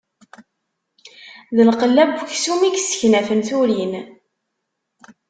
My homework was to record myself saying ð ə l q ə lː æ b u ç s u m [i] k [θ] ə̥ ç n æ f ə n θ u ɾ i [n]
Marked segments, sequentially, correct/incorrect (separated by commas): correct, incorrect, correct